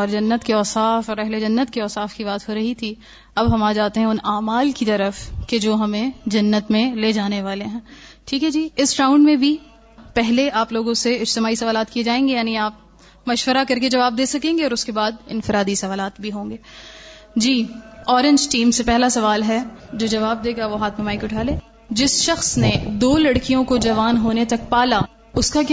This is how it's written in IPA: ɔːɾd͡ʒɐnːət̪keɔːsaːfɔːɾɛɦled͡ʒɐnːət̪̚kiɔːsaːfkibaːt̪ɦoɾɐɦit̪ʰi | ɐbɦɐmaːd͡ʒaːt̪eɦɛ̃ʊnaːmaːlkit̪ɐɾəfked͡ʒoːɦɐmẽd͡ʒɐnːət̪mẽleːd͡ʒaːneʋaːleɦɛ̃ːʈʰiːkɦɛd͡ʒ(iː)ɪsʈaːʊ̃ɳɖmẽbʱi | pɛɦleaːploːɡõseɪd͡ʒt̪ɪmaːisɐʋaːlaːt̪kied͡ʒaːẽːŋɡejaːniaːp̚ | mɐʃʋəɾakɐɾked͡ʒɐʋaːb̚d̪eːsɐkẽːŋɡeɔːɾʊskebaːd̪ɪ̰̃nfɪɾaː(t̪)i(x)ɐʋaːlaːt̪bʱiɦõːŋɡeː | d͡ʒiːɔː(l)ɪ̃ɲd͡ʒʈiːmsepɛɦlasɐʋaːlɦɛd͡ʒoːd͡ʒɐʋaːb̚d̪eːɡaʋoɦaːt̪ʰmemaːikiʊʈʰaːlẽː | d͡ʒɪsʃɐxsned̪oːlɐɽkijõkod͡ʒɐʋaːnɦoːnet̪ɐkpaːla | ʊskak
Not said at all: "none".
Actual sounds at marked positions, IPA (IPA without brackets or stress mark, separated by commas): iː, d̪, s, ɾ